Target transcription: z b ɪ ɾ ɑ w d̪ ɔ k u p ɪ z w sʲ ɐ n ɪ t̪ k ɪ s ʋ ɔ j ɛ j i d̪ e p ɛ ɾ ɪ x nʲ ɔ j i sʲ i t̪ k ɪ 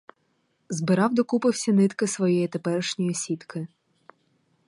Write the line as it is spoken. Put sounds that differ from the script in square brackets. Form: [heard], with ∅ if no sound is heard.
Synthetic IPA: z b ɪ ɾ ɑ w d̪ ɔ k u p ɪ [∅] w sʲ ɐ n ɪ t̪ k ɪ s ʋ ɔ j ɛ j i [t̪] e p ɛ ɾ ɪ [ʃ] nʲ ɔ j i sʲ i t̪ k ɪ